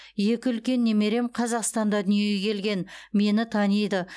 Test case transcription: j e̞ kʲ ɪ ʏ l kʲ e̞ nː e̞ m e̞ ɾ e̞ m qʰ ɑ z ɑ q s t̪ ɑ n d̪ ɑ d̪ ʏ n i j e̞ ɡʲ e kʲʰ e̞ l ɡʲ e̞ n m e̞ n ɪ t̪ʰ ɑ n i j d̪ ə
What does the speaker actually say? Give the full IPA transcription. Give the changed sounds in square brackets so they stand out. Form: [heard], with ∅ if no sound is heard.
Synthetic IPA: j e̞ kʲ ɪ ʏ l kʲ e̞ nː e̞ m e̞ ɾ e̞ m qʰ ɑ z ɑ q s t̪ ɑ n d̪ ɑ d̪ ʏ n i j e̞ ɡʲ e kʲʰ e̞ l ɡʲ e̞ n m e̞ n ɪ t̪ʰ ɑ n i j d̪ ə